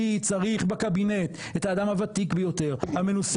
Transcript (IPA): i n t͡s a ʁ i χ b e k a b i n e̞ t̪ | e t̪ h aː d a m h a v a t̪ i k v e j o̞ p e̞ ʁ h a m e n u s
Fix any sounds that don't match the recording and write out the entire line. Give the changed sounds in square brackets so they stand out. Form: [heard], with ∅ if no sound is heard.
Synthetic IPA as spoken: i [∅] t͡s a ʁ i χ b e k a b i n e̞ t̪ | e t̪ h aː d a m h a v a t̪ i k [b] e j o̞ [t] e̞ ʁ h a m e n u s